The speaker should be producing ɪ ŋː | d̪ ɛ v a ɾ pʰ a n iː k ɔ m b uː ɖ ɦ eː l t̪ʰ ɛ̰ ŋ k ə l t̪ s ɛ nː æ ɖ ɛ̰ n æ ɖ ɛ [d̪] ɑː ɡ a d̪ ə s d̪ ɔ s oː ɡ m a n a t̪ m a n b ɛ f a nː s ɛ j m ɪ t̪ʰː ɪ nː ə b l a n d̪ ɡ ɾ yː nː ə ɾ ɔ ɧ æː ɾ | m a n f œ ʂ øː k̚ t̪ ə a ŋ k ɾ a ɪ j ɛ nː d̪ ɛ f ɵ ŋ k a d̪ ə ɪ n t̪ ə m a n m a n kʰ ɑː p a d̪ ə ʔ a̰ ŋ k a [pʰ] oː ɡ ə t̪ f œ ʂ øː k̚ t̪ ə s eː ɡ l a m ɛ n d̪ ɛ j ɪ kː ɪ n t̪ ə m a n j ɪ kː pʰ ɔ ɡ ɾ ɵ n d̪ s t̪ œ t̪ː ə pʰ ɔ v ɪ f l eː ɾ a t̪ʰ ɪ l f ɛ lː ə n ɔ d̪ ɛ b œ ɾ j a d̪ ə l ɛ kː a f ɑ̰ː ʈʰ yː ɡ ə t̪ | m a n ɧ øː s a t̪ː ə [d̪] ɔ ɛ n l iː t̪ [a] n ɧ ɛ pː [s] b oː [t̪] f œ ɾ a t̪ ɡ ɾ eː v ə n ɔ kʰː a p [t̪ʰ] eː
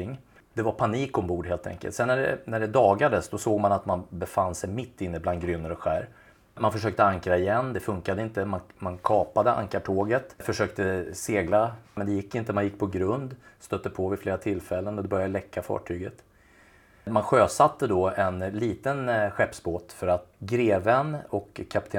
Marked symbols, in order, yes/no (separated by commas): yes, no, yes, no, yes, yes, yes